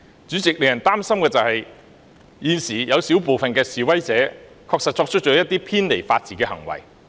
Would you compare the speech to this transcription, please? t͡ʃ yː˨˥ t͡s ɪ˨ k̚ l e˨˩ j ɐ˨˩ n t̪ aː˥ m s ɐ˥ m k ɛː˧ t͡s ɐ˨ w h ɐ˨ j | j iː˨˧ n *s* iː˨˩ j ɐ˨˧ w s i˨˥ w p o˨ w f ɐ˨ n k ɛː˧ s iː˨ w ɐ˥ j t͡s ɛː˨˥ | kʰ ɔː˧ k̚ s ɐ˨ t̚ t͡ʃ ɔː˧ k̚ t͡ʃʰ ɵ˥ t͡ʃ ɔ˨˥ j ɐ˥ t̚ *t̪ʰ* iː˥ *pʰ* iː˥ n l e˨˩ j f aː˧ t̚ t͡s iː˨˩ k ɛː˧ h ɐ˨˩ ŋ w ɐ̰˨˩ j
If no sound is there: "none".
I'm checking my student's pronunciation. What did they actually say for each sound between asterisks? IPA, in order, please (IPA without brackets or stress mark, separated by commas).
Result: s, t̪, pʰ